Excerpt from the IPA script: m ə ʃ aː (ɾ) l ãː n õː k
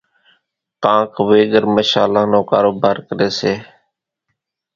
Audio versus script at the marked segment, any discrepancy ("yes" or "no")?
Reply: yes